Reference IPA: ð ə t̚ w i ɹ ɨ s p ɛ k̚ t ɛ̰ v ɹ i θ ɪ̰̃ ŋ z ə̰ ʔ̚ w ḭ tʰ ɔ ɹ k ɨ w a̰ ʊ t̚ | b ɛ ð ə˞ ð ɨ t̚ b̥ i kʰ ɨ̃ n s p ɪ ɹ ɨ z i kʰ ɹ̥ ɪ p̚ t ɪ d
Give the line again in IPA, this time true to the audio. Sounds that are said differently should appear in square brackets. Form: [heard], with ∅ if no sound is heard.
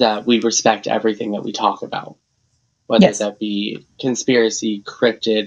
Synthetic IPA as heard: ð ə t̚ w i ɹ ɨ s p ɛ k̚ t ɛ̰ v ɹ i θ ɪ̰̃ ŋ [ð] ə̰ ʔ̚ w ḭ tʰ ɔ [∅] k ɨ [b] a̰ ʊ t̚ | [w] ɛ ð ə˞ ð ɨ t̚ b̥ i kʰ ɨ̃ n s p ɪ ɹ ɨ [s] i kʰ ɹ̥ ɪ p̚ t ɪ d